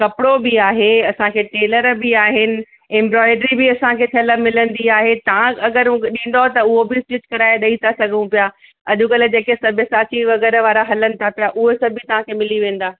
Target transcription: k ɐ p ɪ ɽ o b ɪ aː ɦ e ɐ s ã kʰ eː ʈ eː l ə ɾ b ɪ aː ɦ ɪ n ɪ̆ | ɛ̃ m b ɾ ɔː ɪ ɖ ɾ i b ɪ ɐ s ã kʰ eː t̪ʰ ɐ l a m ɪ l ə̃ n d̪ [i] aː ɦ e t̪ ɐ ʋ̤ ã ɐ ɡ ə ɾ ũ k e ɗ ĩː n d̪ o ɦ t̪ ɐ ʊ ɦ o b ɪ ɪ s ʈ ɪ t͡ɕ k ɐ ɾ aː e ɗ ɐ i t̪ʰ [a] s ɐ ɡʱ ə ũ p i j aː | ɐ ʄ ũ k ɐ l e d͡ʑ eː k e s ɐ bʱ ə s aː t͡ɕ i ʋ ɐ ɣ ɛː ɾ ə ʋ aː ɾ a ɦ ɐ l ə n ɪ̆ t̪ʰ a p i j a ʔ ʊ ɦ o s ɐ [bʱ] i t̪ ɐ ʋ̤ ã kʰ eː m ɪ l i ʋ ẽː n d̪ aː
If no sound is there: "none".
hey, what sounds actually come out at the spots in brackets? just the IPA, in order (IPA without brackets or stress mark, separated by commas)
i, a, bʱ